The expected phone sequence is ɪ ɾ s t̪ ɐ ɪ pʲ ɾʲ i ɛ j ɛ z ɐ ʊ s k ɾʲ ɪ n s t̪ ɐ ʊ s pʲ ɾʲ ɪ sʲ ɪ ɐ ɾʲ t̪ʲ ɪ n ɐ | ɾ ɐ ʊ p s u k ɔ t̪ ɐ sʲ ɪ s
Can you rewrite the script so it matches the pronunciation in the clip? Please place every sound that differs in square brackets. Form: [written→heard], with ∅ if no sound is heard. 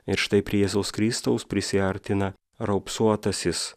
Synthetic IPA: ɪ ɾ [s→ʃ] t̪ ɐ ɪ pʲ ɾʲ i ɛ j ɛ z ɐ ʊ s k ɾʲ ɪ [n→∅] s t̪ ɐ ʊ s pʲ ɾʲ ɪ sʲ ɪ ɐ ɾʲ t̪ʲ ɪ n ɐ | ɾ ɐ ʊ p s u [k→∅] ɔ t̪ ɐ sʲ ɪ s